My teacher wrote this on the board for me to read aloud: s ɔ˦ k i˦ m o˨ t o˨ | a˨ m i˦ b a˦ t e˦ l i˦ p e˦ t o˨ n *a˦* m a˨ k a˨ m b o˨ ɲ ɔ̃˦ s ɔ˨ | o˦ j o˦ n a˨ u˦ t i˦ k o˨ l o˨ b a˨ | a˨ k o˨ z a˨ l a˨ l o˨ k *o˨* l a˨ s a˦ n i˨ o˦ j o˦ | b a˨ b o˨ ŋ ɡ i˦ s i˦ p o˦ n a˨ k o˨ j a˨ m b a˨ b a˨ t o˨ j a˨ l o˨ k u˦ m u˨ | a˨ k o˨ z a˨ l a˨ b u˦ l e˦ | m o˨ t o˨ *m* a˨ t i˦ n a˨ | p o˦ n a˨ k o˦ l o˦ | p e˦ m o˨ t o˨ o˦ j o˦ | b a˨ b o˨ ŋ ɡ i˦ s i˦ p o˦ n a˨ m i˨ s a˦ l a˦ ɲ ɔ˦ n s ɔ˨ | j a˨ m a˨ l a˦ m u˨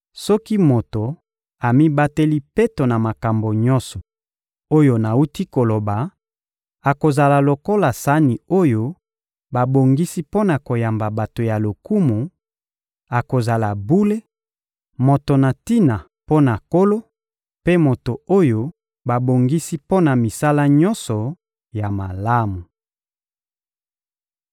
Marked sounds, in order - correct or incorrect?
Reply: incorrect, incorrect, incorrect

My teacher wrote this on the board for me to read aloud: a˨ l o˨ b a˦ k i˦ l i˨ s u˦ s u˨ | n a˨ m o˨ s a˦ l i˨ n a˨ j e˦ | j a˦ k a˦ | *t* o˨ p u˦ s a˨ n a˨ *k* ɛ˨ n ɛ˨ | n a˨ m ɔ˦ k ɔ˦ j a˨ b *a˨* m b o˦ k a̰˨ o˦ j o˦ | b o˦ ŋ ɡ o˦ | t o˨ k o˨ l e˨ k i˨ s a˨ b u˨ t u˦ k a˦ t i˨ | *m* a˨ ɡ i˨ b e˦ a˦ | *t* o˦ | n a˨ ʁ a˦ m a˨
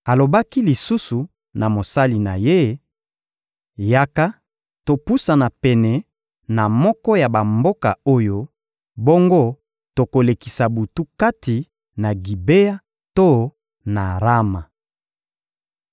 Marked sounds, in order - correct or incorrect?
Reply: correct, incorrect, correct, incorrect, correct

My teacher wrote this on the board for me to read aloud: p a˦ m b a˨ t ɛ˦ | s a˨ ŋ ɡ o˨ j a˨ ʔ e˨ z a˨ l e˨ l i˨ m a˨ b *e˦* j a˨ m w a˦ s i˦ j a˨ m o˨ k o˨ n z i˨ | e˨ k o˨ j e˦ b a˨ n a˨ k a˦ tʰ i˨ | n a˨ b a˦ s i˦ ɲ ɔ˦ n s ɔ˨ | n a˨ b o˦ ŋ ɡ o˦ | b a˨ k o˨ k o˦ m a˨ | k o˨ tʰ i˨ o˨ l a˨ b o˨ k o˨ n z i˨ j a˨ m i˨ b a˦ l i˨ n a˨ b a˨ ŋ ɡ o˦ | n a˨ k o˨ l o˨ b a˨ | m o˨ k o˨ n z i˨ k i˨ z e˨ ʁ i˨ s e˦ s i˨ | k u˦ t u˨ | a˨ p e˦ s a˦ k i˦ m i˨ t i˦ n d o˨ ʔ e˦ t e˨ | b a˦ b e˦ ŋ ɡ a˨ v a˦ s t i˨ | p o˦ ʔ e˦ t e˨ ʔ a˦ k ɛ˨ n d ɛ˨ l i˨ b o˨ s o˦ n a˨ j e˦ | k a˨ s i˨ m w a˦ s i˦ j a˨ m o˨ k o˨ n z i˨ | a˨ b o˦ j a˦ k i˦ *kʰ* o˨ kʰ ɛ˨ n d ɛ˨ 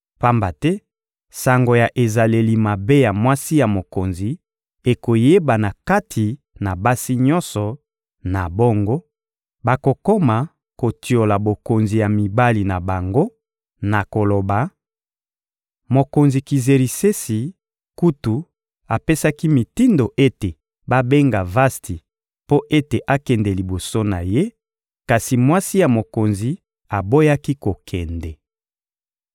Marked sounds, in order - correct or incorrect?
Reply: correct, incorrect

